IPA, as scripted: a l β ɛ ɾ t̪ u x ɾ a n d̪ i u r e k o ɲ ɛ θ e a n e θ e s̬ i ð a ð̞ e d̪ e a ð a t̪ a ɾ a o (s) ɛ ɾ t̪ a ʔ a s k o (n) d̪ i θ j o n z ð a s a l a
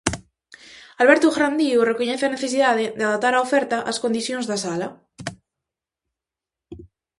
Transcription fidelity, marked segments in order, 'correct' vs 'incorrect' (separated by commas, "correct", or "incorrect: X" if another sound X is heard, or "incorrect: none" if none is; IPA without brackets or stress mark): incorrect: f, correct